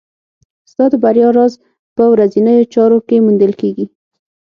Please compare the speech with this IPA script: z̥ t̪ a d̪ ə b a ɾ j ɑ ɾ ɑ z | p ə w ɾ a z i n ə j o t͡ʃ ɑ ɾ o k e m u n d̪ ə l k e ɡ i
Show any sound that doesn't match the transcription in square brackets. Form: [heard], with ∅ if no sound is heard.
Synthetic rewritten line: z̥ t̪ [ɑ] d̪ ə b a ɾ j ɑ ɾ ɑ z | p ə w ɾ a z i n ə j o t͡ʃ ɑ ɾ o k e m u n d̪ ə l k e ɡ i